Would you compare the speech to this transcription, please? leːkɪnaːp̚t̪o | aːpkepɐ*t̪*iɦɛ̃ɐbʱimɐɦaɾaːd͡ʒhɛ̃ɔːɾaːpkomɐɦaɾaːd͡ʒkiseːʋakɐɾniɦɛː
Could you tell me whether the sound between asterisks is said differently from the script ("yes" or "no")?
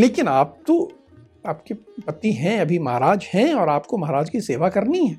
no